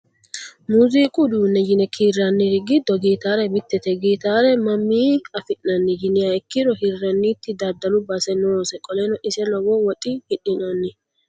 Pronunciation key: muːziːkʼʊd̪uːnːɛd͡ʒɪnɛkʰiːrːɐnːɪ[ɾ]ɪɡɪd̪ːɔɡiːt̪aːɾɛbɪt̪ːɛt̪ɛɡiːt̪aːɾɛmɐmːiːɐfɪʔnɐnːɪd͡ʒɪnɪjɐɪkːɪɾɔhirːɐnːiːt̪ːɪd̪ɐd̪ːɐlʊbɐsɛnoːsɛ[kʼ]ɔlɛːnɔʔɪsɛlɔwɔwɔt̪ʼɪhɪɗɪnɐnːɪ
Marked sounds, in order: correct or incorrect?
correct, correct

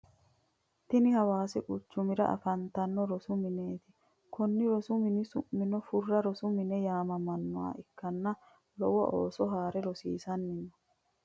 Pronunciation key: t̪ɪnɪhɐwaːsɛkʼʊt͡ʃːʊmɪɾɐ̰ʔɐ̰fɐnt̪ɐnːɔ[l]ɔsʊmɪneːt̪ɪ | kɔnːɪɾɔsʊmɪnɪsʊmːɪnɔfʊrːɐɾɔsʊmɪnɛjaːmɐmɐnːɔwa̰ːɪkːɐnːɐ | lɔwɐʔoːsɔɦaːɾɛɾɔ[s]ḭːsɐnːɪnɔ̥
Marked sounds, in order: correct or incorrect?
incorrect: ɾ, correct

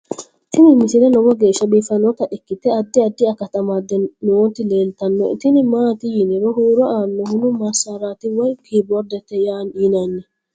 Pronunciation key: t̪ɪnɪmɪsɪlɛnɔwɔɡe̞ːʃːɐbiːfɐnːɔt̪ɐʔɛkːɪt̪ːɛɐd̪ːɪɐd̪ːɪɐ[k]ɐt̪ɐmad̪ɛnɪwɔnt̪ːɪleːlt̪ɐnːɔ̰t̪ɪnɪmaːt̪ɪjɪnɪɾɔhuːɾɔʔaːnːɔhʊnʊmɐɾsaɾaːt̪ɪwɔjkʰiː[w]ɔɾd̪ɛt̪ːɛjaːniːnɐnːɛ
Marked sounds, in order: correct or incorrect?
correct, incorrect: b

